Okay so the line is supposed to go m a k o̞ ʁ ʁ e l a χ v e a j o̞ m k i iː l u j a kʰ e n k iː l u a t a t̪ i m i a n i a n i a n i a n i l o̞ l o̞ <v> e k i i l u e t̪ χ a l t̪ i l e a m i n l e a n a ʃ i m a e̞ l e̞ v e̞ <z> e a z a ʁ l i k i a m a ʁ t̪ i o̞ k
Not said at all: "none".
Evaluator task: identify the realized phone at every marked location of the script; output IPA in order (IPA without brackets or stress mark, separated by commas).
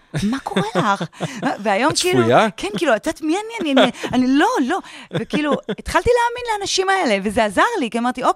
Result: v, z